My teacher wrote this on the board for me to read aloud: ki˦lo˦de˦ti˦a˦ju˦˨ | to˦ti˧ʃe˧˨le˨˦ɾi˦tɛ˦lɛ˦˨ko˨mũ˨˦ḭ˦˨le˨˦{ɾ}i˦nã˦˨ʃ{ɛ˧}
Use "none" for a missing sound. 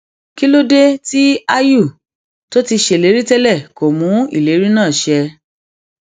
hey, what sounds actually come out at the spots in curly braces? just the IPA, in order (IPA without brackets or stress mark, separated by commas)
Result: ɾ, ɛ˧